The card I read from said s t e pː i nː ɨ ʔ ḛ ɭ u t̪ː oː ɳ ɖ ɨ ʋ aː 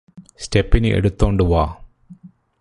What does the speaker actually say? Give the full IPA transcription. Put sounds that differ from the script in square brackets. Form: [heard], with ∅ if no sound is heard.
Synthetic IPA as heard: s t e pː i [n] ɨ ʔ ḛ [ɽ] u t̪ː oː ɳ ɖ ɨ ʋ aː